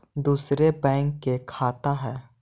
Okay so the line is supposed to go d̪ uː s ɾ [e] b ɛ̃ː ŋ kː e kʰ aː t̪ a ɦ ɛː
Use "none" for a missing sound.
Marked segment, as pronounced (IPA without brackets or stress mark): e